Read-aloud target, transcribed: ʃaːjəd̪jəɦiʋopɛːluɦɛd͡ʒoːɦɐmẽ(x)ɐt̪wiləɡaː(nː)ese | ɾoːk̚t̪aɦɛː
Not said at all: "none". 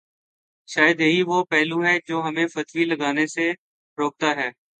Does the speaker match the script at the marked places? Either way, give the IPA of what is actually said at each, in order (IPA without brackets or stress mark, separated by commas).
f, n